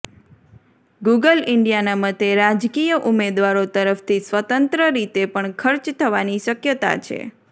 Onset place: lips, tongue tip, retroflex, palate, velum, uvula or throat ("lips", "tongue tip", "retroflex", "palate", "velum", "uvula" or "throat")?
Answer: velum